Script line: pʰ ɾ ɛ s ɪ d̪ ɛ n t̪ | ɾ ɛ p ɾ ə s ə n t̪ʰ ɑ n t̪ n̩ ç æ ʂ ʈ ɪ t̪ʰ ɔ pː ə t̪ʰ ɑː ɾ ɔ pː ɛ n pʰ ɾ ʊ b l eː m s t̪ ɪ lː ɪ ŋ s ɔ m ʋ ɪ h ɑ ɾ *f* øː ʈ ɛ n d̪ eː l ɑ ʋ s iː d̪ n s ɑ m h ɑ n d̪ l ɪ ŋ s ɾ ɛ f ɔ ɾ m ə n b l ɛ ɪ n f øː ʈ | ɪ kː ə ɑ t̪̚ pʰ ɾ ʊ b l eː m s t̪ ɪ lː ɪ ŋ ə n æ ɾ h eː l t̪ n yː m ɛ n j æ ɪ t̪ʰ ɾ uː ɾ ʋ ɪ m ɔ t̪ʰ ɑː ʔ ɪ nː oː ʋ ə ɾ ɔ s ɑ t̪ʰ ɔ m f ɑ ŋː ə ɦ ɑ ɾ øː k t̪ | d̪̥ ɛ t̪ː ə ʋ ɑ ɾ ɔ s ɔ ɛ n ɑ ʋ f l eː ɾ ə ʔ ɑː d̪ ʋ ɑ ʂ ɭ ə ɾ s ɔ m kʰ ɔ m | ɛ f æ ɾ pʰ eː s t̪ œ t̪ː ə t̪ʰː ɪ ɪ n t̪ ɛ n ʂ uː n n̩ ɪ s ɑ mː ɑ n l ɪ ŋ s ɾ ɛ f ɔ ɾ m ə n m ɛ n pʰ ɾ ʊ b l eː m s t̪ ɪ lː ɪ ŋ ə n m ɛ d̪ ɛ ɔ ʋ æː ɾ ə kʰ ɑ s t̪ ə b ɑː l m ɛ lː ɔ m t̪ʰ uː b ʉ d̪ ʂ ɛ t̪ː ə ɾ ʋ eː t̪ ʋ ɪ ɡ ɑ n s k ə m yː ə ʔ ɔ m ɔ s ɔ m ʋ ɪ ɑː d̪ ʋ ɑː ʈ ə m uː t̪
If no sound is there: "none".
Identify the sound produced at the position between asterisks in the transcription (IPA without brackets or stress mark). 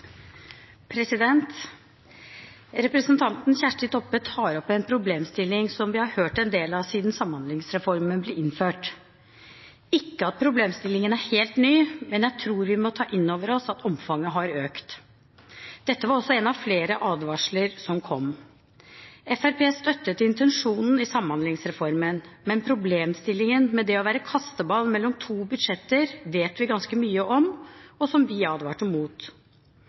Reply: h